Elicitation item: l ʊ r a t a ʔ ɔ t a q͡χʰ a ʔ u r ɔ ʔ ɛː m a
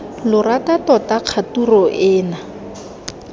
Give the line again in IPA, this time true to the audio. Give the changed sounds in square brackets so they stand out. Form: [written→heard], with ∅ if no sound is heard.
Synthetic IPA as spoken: l ʊ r a t a [ʔ→t] ɔ t a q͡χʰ a [ʔ→t] u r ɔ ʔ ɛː [m→n] a